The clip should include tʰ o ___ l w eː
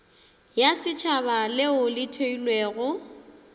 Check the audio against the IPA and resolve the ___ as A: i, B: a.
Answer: A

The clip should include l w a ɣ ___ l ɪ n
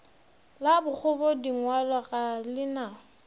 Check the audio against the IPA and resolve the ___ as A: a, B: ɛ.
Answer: A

